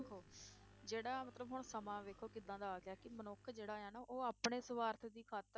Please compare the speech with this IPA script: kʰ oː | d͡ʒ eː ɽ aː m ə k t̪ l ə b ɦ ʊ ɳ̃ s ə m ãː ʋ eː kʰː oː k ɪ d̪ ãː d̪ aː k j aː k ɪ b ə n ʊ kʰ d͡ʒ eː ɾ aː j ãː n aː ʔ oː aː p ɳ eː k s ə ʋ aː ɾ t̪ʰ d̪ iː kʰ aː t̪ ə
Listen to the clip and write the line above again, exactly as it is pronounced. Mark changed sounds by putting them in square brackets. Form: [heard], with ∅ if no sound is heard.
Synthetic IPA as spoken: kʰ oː | d͡ʒ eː ɽ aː m ə [∅] t̪ l ə b ɦ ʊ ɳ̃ s ə m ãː ʋ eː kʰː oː k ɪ d̪ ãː d̪ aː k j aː k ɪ [m] ə n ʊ kʰ d͡ʒ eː [ɽ] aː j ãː n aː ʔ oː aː p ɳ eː [∅] s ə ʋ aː ɾ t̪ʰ d̪ iː kʰ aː t̪ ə

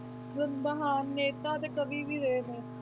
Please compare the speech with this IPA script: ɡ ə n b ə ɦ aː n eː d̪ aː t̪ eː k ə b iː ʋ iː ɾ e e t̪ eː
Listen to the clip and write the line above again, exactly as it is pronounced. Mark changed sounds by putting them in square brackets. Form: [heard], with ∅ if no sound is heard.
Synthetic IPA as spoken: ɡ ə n b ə ɦ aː [nː] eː [t̪] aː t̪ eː k ə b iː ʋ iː ɾ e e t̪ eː

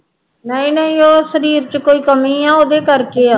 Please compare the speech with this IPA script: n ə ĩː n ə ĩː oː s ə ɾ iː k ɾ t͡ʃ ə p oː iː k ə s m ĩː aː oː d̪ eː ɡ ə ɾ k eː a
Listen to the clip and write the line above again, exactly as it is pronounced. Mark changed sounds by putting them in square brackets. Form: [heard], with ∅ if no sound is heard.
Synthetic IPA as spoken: n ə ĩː n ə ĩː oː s ə ɾ iː [∅] ɾ t͡ʃ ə [k] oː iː k ə [∅] m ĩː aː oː d̪ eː [k] ə ɾ k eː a

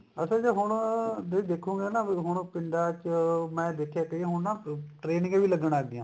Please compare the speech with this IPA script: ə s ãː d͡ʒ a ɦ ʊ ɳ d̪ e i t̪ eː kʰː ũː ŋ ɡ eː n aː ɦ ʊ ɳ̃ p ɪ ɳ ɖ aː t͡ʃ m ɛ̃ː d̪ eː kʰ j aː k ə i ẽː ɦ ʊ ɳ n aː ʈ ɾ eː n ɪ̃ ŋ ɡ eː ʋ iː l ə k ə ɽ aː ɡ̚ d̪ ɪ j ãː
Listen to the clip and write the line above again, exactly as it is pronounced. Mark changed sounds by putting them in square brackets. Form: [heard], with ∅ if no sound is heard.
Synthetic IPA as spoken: ə s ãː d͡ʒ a ɦ ʊ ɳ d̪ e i [d̪] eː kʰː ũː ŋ ɡ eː n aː ɦ ʊ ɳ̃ p ɪ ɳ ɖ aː t͡ʃ m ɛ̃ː d̪ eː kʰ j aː k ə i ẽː ɦ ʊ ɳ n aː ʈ ɾ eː n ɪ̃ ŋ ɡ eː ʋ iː l ə [ɡ] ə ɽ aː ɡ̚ d̪ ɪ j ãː

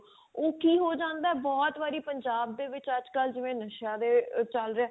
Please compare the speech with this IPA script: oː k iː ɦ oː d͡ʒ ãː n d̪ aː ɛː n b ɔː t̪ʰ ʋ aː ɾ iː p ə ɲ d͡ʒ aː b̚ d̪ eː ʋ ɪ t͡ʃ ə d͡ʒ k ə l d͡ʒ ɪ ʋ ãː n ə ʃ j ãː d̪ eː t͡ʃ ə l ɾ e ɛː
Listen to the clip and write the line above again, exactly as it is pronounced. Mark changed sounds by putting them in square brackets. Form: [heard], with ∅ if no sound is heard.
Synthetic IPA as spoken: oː k iː ɦ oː d͡ʒ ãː n d̪ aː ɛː [∅] b ɔː [t̪] ʋ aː ɾ iː p ə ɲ d͡ʒ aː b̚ d̪ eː ʋ ɪ t͡ʃ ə d͡ʒ k ə l d͡ʒ ɪ ʋ [ẽː] n ə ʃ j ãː d̪ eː t͡ʃ ə l ɾ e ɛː

